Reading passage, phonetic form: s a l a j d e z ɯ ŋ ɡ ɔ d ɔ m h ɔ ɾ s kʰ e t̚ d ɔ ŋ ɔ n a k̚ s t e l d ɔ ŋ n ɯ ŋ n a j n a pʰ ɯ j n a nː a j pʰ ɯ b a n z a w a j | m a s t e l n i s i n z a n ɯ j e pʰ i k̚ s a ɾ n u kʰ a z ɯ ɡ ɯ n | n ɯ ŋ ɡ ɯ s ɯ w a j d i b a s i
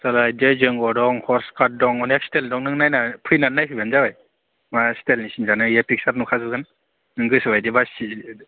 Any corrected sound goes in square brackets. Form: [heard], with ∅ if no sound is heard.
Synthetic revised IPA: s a l a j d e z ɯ ŋ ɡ ɔ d ɔ [ŋ] h ɔ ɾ s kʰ [a] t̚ d ɔ ŋ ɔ n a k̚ s t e l d ɔ ŋ n ɯ ŋ n a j n a pʰ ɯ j n a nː a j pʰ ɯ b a n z a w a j | m a s t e l n i s i n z a n ɯ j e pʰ i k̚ s a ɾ n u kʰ a z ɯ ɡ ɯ n | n ɯ ŋ ɡ ɯ s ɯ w a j d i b a s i